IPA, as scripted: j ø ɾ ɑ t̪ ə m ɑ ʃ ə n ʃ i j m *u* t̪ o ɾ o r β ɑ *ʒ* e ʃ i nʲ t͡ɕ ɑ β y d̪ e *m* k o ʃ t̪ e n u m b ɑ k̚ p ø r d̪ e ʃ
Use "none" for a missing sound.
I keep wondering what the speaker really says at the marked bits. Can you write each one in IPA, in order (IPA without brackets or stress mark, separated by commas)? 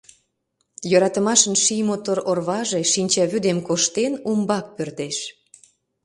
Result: o, ʒ, m